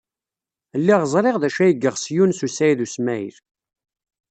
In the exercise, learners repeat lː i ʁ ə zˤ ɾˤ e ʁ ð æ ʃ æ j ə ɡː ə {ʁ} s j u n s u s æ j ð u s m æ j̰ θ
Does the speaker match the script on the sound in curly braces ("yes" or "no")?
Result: yes